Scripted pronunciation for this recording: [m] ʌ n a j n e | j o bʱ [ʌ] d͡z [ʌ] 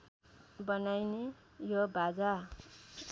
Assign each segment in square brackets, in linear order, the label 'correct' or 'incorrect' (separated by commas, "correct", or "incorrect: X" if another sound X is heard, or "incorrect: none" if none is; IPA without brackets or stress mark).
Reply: incorrect: b, incorrect: a, incorrect: a